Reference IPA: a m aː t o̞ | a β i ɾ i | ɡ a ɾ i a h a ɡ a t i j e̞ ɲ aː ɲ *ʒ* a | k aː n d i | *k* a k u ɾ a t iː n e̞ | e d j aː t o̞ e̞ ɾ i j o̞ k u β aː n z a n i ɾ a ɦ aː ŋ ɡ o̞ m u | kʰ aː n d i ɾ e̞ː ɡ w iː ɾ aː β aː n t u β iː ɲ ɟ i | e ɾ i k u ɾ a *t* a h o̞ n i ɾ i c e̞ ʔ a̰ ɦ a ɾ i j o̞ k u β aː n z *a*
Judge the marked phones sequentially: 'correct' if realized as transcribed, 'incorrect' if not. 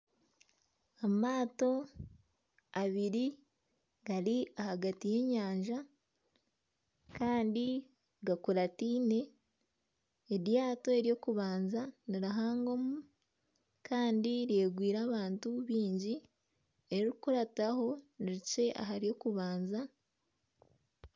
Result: correct, incorrect, correct, correct

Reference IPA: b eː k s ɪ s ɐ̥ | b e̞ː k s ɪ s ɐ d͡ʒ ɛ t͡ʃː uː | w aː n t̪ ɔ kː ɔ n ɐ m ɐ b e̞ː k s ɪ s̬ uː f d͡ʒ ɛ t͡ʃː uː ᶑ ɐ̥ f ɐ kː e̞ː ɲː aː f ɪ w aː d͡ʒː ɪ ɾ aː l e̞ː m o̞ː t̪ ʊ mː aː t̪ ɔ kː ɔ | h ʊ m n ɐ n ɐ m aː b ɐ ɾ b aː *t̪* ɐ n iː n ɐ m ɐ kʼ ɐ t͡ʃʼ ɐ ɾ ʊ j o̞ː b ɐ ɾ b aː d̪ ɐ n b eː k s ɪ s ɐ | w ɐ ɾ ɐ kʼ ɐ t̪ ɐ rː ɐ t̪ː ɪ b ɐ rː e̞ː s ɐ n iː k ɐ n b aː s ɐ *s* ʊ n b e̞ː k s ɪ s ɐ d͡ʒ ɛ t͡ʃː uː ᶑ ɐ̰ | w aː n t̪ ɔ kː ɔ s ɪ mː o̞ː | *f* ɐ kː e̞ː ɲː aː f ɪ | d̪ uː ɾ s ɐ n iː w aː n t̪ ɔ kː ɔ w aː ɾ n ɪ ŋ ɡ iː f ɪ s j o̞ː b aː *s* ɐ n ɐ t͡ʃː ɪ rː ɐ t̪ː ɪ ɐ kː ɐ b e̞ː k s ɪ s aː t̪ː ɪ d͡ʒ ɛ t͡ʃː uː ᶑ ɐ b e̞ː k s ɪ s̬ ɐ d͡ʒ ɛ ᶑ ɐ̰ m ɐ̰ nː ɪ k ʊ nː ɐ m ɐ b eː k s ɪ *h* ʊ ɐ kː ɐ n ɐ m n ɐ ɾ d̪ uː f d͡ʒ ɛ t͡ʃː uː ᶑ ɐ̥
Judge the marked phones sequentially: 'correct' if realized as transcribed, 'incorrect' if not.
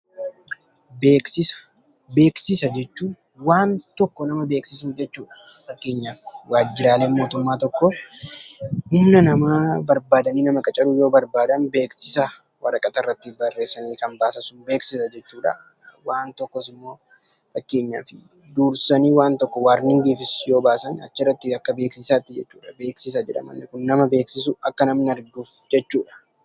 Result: incorrect, correct, correct, correct, incorrect

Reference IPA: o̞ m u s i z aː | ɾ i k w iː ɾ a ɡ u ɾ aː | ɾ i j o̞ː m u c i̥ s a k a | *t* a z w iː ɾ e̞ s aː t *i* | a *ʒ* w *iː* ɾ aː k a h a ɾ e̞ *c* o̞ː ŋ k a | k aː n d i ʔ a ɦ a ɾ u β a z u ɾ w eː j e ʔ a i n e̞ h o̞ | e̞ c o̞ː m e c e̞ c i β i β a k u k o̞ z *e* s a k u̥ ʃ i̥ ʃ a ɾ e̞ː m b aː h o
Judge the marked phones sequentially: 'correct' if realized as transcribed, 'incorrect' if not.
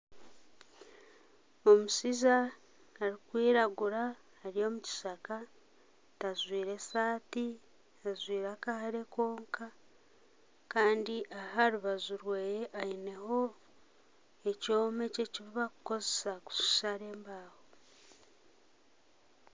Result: correct, correct, incorrect, correct, incorrect, correct

